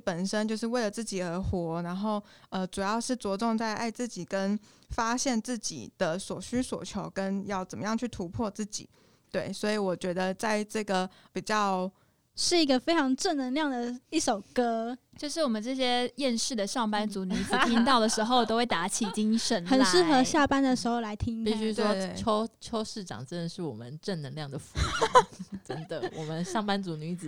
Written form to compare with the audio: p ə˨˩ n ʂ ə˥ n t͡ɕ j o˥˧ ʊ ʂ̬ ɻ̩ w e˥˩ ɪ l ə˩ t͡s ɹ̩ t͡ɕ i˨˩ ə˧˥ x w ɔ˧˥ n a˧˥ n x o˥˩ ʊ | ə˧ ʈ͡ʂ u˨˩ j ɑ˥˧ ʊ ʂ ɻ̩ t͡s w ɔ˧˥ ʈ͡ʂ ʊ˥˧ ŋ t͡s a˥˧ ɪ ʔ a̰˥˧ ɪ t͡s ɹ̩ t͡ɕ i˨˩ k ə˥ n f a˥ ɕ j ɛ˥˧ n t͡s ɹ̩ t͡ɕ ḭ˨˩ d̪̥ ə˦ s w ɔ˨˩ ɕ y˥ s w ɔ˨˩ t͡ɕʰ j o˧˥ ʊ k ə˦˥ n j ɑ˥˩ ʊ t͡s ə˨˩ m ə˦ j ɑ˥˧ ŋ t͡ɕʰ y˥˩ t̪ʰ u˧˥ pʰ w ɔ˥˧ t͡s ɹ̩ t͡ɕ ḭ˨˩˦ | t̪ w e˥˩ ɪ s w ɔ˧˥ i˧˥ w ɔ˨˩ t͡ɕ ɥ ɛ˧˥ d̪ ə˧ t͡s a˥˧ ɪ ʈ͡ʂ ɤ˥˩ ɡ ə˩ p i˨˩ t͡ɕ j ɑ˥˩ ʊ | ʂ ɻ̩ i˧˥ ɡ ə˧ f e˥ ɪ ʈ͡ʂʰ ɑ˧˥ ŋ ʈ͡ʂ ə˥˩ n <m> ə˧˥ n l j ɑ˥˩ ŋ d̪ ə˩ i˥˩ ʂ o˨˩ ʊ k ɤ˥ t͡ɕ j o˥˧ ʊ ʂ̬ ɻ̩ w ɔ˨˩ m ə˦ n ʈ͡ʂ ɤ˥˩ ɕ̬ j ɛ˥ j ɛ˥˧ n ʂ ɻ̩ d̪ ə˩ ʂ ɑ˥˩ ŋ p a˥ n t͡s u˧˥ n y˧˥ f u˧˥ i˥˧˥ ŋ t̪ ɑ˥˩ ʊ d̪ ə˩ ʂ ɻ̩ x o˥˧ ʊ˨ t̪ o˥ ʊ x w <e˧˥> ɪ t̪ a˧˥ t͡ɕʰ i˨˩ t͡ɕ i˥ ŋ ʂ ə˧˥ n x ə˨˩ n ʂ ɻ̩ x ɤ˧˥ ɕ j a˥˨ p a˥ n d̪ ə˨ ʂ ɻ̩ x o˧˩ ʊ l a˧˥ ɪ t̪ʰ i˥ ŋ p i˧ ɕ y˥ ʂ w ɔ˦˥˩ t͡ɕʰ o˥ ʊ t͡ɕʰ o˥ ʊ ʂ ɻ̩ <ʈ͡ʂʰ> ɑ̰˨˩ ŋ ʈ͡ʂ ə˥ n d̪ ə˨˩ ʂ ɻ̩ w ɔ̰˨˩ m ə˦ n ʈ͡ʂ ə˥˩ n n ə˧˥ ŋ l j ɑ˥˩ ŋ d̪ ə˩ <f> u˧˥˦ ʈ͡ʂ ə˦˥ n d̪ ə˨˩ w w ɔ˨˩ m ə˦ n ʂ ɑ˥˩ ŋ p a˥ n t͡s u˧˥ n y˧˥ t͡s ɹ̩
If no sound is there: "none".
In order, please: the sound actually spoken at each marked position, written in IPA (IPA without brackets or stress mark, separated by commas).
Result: n, e˥˩, ʈ͡ʂ, f